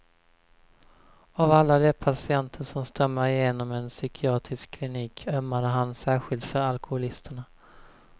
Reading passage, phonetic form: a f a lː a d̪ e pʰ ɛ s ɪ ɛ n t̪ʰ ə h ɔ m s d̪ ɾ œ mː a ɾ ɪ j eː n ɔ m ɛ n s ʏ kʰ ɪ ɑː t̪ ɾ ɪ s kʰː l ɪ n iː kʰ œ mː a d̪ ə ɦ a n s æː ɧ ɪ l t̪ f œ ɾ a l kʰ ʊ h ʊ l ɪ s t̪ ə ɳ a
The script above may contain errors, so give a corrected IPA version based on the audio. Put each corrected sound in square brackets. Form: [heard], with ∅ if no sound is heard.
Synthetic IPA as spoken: a [v] a lː a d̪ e pʰ [a] s ɪ ɛ n t̪ʰ ə [ʂ] ɔ m s [t̪] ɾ œ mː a ɾ ɪ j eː n ɔ m ɛ n s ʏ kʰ ɪ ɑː t̪ ɾ ɪ s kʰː l ɪ n iː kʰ œ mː a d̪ ə ɦ a n s æː ɧ ɪ l t̪ f œ ɾ a l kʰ ʊ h ʊ l ɪ s t̪ ə ɳ a